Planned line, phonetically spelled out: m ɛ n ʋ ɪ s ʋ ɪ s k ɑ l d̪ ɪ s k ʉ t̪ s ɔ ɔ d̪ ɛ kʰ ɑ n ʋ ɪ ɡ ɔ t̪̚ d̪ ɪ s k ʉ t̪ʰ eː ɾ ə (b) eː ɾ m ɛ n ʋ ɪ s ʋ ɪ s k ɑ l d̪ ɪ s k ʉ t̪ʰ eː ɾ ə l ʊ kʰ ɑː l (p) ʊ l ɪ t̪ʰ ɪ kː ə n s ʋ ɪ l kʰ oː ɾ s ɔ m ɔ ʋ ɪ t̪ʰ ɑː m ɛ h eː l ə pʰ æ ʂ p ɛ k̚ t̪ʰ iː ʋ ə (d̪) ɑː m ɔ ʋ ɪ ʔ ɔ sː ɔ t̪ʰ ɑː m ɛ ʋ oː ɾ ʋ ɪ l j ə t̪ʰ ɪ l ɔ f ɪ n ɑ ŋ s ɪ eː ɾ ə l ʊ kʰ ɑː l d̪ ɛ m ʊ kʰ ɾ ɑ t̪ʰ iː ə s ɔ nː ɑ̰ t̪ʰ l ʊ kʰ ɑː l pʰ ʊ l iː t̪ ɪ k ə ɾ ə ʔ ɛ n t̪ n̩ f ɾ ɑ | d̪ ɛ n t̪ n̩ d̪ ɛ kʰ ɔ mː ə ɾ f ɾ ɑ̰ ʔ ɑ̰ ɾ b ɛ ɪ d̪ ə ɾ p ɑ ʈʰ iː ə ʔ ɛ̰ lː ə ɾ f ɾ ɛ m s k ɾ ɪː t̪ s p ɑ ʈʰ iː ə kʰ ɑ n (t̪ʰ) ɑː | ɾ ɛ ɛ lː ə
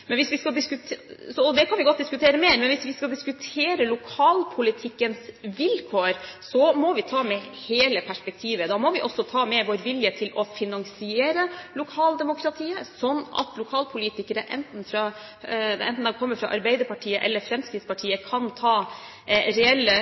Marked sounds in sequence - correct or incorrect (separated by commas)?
incorrect, incorrect, correct, correct